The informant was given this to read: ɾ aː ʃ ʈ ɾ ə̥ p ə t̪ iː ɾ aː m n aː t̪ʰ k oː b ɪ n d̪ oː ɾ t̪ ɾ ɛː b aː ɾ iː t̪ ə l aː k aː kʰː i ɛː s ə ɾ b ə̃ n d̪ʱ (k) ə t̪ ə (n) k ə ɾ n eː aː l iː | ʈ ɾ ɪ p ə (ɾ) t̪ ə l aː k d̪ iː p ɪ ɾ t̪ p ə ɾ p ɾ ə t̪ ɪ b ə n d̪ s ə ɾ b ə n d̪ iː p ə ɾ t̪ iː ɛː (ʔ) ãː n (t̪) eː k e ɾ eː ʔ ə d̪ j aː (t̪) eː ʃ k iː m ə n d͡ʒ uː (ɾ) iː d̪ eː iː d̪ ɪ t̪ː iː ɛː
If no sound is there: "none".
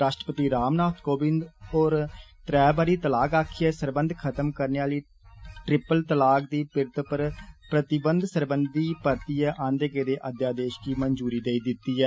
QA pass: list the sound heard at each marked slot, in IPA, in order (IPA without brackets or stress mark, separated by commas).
kʰ, m, l, ʔ, d̪, d̪, ɾ